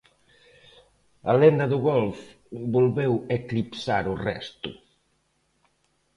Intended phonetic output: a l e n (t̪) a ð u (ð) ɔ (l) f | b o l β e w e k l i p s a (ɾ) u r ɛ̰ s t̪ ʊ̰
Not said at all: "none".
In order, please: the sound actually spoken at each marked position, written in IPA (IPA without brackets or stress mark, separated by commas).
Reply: d̪, ɣ, l, ɾ